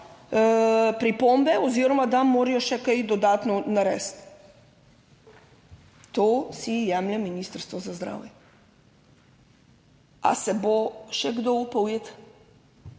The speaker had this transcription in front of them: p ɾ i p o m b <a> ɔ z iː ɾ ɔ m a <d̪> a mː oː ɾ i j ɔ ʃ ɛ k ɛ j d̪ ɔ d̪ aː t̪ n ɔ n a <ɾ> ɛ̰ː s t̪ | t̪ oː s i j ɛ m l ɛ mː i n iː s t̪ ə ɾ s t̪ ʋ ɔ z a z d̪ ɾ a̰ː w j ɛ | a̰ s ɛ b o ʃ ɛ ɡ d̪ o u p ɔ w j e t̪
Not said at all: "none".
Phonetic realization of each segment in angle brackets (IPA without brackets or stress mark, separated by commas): ɛ, d̪, ɾ